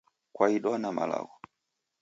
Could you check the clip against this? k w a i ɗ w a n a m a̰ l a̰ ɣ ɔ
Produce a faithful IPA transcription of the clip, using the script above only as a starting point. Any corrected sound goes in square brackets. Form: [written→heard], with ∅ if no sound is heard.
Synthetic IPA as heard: k w a i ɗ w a n a m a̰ l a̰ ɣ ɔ